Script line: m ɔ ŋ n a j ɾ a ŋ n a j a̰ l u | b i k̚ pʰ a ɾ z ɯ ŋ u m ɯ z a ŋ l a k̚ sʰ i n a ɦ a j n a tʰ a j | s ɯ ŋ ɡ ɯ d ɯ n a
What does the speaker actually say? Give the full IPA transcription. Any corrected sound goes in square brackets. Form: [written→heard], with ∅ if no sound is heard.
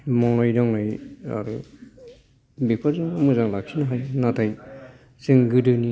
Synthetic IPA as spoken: m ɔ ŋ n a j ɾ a ŋ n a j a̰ [l→ɾ] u | b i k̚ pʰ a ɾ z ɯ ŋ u m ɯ z a ŋ l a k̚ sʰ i n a ɦ a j n a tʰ a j | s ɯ ŋ ɡ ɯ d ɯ n [a→i]